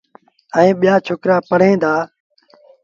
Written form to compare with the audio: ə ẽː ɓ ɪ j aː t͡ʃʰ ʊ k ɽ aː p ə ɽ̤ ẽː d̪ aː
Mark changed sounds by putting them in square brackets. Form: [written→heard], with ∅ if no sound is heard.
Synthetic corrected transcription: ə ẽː ɓ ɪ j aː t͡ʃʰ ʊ k [ɽ→ɾ] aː p ə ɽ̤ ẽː d̪ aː